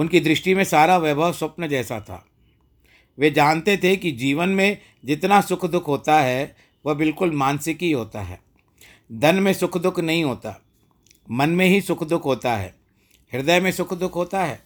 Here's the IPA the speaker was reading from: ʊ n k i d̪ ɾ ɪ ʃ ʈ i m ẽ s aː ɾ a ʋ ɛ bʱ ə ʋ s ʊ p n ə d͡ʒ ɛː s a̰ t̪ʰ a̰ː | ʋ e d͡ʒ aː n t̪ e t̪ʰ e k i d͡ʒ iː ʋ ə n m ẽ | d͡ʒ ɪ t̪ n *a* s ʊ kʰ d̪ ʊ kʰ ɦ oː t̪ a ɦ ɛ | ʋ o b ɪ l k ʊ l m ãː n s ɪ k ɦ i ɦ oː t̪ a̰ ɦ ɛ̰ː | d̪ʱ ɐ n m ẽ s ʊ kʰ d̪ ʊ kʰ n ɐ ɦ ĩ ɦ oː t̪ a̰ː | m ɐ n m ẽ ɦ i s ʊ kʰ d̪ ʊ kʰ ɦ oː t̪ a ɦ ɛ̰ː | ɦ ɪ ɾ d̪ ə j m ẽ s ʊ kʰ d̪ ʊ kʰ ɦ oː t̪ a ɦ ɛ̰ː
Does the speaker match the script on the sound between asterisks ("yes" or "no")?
yes